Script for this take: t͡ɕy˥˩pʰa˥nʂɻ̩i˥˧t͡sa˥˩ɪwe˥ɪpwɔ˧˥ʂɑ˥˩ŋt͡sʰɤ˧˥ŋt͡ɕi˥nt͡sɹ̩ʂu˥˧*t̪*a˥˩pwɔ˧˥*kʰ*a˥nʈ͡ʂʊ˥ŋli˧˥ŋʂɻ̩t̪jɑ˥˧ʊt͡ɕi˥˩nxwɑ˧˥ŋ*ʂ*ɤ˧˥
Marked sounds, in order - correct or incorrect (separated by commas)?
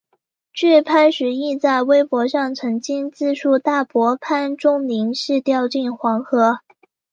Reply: correct, incorrect, incorrect